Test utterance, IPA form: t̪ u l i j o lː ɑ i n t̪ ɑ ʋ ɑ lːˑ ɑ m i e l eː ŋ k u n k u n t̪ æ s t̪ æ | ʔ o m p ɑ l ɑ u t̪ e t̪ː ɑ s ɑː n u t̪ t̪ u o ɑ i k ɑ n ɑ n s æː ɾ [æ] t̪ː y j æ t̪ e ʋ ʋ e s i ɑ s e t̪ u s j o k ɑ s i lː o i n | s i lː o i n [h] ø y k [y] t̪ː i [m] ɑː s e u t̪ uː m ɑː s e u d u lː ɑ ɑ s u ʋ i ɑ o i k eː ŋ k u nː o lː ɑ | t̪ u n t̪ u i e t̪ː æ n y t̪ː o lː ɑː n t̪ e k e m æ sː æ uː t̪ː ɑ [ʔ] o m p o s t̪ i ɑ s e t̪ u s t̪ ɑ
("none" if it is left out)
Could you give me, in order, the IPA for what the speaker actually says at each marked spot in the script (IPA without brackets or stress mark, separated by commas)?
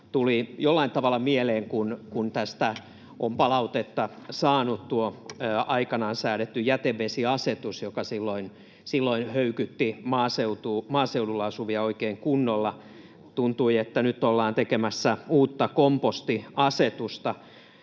e, h, y, m, k